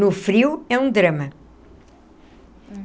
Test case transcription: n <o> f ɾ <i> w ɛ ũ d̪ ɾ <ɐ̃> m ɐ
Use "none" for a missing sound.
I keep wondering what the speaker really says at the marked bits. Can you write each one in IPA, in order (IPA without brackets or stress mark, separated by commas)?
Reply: u, i, ɐ